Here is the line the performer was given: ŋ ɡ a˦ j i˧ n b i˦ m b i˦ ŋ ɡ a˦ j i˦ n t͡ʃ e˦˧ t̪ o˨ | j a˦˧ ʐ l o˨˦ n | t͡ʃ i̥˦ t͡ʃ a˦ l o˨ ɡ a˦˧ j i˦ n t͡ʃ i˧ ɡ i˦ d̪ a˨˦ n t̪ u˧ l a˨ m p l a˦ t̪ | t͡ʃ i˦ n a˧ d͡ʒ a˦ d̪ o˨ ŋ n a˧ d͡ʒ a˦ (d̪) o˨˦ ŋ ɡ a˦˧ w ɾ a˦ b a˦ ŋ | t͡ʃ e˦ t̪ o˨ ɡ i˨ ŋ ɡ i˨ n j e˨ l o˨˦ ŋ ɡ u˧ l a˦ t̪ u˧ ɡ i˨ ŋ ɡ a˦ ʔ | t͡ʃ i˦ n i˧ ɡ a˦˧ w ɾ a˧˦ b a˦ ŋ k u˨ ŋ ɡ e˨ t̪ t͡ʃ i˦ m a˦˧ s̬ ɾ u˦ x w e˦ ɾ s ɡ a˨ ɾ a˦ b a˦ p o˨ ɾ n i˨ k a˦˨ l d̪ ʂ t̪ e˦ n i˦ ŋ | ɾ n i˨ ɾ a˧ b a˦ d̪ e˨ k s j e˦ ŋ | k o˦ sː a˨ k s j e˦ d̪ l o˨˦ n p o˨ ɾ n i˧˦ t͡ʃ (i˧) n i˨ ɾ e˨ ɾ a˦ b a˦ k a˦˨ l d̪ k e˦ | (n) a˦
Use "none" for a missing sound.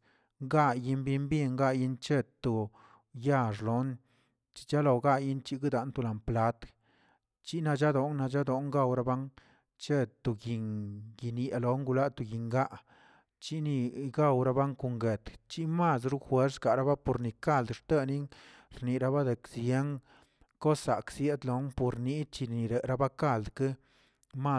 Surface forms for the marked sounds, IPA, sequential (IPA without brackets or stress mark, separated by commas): d̪, i˧, m